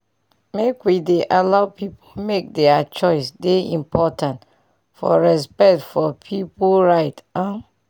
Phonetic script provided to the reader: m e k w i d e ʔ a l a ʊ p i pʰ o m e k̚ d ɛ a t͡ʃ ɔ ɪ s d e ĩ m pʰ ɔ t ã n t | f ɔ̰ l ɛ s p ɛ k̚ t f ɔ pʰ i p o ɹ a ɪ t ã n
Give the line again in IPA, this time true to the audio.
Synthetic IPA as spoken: m e k w i d e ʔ a l a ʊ p i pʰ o m e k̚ d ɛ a t͡ʃ ɔ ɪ s d e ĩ m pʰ ɔ t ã n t | f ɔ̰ ɹ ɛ s p ɛ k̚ t f ɔ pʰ i p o ɹ a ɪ t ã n